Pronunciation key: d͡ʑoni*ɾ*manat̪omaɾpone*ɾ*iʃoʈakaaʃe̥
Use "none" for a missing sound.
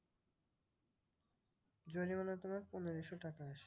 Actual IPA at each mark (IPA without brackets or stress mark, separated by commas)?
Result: none, ɾ